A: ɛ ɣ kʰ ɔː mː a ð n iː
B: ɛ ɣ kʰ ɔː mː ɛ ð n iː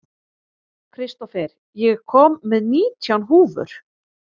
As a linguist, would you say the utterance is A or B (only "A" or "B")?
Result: B